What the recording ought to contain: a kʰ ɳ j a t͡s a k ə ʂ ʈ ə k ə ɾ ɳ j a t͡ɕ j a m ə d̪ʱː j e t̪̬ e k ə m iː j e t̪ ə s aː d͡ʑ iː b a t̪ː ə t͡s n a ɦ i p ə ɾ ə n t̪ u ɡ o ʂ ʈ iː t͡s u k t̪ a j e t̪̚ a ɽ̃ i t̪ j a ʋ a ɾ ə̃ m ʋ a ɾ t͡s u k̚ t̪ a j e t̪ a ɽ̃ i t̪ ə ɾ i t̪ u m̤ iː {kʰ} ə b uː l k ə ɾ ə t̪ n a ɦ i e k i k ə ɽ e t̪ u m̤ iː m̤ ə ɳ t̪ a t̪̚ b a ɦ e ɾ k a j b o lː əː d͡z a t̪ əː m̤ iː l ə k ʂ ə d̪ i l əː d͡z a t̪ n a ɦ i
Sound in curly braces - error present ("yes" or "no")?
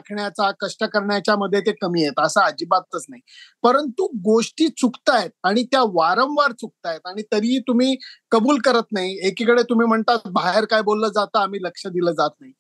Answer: yes